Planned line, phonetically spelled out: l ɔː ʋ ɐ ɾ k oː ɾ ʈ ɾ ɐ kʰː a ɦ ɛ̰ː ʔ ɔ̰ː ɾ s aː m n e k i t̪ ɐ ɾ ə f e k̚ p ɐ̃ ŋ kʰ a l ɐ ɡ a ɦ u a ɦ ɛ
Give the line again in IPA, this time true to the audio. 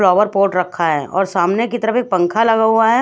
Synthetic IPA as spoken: l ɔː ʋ ə ɾ p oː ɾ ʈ ɾ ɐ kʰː a ɦ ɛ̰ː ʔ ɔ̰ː ɾ s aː m n e k i t̪ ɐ ɾ ə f e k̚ p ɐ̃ ŋ kʰ a l ɐ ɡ a ɦ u a ɦ ɛ

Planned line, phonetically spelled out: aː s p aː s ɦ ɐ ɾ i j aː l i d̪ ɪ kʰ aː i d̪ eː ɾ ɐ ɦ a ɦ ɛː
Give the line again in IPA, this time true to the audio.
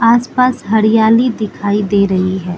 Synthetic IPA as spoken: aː s p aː s ɦ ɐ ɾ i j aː l i d̪ ɪ kʰ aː i d̪ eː ɾ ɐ ɦ i ɦ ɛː

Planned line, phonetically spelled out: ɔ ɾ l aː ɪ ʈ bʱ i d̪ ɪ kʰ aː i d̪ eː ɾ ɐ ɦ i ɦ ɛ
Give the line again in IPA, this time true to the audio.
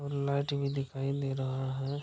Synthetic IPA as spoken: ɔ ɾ l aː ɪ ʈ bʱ i d̪ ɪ kʰ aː i d̪ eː ɾ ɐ ɦ a ɦ ɛ

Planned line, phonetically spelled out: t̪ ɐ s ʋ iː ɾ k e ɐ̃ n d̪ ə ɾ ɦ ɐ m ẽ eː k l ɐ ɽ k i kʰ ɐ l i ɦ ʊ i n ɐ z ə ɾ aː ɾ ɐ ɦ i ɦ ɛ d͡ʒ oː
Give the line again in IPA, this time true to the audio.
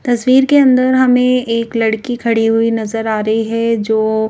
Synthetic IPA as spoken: t̪ ɐ s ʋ iː ɾ k e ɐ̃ n d̪ ə ɾ ɦ ɐ m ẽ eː k l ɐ ɽ k i kʰ ɐ ɽ i ɦ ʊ i n ɐ z ə ɾ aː ɾ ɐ ɦ i ɦ ɛ d͡ʒ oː

